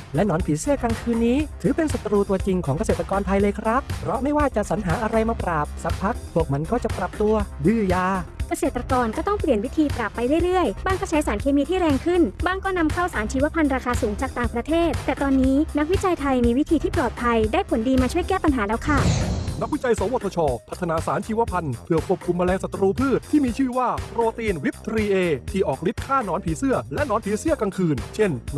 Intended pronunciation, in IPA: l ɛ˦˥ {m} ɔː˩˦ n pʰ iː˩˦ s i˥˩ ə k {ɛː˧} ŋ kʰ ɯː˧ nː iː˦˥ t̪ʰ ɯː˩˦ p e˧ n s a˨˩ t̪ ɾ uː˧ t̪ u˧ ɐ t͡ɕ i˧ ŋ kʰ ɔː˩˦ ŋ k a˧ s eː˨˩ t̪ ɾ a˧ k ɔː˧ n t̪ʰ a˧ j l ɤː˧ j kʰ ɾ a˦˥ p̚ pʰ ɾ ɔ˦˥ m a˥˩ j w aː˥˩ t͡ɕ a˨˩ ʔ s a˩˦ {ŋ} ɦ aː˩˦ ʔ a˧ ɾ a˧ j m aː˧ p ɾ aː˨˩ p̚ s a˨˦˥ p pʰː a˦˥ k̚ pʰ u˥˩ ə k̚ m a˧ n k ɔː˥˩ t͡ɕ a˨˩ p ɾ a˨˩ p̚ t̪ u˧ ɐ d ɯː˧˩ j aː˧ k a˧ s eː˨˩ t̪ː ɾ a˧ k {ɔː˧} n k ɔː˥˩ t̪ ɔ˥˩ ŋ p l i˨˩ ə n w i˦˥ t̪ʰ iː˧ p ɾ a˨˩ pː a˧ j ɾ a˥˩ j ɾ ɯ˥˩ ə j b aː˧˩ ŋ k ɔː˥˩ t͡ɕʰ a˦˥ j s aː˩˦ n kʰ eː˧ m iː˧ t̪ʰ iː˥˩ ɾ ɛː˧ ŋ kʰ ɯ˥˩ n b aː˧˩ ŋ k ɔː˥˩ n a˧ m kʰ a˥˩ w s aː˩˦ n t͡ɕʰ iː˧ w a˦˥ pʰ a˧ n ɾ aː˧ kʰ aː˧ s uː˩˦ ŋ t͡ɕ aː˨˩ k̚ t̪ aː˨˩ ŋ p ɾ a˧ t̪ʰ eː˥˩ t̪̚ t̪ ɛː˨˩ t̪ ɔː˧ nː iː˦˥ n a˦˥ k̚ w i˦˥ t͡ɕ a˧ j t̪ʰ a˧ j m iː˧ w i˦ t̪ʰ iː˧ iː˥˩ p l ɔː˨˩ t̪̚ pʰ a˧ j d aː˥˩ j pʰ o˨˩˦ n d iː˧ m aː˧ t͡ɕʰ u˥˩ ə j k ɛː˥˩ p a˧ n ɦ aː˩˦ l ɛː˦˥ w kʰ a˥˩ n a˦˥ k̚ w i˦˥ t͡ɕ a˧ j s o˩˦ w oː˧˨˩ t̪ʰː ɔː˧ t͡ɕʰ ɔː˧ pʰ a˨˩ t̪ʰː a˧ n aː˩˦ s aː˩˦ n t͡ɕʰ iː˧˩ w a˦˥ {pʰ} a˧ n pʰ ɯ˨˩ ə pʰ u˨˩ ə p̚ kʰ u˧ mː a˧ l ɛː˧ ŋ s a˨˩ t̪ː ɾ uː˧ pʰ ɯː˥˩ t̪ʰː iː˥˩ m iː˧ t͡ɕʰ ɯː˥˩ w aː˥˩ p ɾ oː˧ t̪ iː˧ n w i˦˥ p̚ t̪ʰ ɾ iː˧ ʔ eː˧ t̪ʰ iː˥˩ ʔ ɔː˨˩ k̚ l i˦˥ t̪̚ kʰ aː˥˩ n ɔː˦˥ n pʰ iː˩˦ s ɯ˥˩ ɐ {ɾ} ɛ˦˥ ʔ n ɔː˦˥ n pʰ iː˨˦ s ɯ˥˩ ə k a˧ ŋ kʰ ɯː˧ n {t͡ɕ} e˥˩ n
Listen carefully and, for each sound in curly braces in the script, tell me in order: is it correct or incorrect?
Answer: incorrect: n, incorrect: aː˧, incorrect: n, correct, correct, incorrect: l, incorrect: t͡ɕʰ

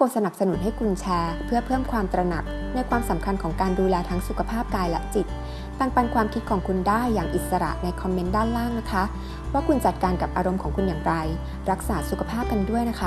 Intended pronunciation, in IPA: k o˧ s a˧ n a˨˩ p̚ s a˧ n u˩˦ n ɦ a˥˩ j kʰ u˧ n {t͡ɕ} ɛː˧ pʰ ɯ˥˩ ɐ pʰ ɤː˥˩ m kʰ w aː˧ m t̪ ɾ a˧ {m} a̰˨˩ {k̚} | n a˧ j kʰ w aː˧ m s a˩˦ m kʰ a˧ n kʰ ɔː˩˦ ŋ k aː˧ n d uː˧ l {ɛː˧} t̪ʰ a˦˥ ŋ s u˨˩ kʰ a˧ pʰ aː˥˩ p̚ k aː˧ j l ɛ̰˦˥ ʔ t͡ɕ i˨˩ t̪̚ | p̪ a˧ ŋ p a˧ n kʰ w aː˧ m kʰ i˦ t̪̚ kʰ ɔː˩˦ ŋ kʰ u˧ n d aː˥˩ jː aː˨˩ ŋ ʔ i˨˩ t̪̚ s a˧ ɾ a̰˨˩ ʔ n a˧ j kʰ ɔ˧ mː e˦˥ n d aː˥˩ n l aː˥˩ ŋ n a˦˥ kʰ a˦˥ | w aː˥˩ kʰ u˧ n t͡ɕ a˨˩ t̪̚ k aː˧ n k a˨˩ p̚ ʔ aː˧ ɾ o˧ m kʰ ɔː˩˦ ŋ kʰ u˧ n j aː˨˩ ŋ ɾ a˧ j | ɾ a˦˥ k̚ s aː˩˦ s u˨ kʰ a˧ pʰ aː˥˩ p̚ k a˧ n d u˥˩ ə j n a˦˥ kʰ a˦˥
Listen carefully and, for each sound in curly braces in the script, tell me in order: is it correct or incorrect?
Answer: incorrect: t͡ɕʰ, incorrect: n, correct, correct

